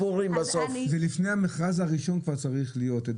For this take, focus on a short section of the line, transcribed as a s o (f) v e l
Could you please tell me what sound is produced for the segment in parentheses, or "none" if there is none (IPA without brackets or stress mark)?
f